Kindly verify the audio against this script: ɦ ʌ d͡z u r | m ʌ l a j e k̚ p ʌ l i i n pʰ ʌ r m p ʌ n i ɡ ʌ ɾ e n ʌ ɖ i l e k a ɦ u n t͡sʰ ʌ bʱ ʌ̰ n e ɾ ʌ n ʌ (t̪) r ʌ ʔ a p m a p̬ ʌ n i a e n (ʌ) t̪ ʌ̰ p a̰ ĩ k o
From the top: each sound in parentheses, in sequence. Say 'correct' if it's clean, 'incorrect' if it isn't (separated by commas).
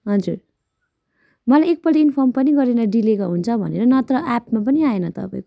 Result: correct, correct